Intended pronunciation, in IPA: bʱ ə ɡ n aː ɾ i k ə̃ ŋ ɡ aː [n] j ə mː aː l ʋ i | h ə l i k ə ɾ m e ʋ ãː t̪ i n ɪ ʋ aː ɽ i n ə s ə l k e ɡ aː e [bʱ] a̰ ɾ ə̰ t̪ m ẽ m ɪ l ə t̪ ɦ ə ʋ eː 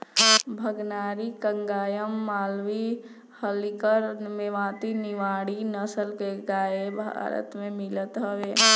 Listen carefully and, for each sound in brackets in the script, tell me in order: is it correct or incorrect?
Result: incorrect: none, correct

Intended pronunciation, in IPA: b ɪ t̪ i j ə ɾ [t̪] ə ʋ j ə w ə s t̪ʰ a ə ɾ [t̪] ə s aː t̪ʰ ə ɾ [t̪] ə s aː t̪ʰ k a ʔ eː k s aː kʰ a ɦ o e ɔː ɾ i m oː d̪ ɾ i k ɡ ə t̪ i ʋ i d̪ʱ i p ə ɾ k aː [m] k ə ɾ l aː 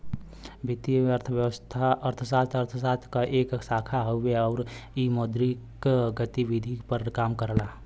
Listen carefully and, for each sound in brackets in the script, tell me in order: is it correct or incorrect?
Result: incorrect: t̪ʰ, incorrect: t̪ʰ, incorrect: t̪ʰ, correct

